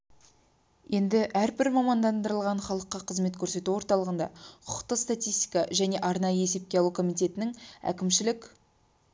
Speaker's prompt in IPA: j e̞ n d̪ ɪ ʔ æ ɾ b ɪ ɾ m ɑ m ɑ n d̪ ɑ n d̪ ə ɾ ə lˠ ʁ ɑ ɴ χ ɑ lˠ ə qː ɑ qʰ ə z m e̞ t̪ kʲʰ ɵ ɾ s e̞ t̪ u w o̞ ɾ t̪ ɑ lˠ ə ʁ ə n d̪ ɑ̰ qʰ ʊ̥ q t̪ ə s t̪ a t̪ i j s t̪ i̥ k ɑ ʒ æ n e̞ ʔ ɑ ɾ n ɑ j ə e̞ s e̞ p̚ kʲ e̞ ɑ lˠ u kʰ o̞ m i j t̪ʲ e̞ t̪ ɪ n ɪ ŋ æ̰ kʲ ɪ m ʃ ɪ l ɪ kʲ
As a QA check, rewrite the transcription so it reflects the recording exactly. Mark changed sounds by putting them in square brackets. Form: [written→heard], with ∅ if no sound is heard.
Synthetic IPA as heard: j e̞ n d̪ ɪ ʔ æ ɾ b ɪ ɾ m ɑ m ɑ n d̪ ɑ n d̪ ə ɾ ə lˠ ʁ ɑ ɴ χ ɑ lˠ ə qː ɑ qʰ ə z m e̞ t̪ kʲʰ ɵ ɾ s e̞ t̪ u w o̞ ɾ t̪ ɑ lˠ ə ʁ ə n d̪ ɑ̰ qʰ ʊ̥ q t̪ ə s t̪ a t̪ i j s t̪ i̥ k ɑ ʒ æ n e̞ ʔ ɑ ɾ n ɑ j ə e̞ s e̞ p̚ kʲ e̞ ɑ lˠ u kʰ o̞ m i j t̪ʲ e̞ t̪ ɪ n ɪ ŋ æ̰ kʲ ɪ m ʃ ɪ l ɪ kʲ